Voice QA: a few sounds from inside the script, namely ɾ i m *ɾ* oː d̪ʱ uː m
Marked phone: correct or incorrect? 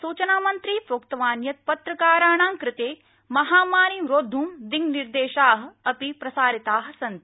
correct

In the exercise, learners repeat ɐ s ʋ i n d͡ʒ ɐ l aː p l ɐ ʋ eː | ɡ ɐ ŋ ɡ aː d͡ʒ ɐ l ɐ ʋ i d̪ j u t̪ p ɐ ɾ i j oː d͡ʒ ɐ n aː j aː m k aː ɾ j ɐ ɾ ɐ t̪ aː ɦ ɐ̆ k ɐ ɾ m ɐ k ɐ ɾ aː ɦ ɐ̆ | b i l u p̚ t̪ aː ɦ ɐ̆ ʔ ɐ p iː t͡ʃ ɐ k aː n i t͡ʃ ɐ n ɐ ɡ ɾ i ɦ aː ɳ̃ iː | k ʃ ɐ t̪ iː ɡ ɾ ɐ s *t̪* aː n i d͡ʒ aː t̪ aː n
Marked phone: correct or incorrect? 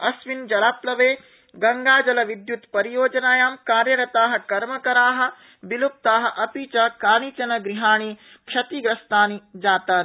correct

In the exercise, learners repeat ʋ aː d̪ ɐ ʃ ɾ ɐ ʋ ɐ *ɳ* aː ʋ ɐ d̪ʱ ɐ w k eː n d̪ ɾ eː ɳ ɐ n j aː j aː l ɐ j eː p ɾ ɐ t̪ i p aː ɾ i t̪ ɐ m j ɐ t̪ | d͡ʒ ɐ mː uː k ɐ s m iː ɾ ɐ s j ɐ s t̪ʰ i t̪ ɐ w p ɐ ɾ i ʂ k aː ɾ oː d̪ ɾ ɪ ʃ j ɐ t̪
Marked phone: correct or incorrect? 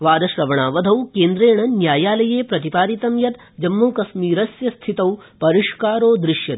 correct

